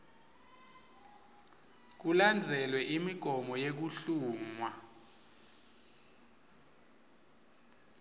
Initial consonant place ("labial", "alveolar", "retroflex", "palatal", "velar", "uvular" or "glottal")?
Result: velar